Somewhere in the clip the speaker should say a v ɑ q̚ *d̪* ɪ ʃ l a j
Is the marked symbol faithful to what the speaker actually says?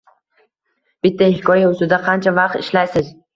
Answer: no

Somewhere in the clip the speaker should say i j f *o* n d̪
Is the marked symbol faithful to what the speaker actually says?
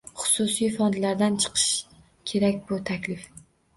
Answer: no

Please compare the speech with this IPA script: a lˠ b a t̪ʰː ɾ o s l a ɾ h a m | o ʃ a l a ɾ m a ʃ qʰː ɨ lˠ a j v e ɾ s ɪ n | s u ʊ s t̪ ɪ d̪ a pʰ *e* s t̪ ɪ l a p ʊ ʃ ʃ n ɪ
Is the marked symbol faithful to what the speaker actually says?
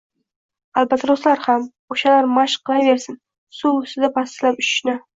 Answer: no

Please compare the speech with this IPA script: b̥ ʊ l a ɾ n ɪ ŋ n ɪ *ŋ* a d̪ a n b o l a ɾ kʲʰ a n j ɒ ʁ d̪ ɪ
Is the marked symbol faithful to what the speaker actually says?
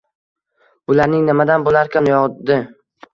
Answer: no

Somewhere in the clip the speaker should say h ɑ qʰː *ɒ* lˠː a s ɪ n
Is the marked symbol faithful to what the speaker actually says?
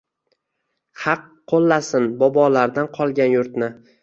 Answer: no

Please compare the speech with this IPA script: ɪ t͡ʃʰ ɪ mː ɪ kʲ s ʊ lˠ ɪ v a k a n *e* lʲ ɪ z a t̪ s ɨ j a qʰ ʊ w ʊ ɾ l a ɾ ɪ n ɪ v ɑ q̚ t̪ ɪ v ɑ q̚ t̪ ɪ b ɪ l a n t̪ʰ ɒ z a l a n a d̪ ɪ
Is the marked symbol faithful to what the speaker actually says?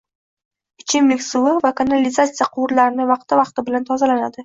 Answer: no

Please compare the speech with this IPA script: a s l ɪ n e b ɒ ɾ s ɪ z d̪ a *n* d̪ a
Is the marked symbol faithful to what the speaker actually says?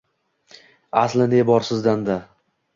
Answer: yes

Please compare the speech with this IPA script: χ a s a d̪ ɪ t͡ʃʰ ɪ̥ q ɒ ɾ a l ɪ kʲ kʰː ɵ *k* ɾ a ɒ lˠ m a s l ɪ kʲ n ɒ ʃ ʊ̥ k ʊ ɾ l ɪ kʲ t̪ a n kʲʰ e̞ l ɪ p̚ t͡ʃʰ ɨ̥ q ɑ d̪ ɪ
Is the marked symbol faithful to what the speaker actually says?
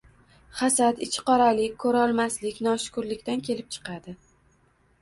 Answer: no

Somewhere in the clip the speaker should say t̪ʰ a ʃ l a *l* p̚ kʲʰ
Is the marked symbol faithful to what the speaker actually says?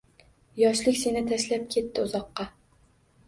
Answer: no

